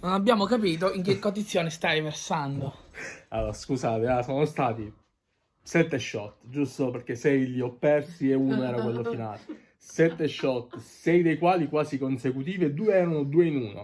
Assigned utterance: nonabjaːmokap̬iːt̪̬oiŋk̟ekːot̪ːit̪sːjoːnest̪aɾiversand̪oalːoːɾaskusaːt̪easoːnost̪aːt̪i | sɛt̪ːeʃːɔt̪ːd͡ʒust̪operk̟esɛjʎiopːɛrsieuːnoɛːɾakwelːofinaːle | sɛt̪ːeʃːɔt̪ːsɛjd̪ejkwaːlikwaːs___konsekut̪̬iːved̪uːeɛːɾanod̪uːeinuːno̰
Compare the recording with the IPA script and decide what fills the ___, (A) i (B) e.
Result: A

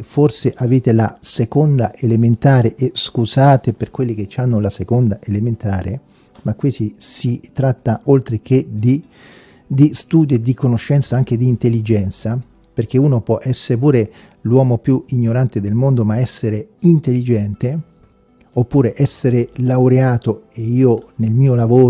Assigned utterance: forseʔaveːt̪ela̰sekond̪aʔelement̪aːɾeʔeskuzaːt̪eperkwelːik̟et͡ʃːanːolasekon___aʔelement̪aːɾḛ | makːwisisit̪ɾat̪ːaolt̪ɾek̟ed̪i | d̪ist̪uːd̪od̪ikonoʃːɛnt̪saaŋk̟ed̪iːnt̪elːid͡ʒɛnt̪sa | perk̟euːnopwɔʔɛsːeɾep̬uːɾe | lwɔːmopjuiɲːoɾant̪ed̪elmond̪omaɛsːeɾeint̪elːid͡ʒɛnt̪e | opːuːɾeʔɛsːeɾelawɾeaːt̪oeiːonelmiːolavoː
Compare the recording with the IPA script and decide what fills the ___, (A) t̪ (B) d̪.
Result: B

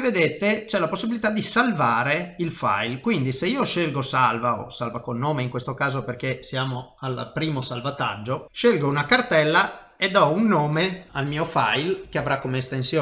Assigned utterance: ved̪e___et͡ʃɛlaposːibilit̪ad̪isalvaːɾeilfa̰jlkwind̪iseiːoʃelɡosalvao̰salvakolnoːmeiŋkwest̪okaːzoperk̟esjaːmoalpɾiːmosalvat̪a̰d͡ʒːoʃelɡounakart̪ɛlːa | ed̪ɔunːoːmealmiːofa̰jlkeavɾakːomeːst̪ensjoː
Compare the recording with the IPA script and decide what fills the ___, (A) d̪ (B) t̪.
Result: B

